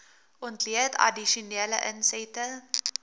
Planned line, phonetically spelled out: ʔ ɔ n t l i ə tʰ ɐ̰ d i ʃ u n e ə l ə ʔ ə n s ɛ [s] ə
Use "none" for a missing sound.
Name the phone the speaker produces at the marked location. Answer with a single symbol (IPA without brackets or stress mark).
t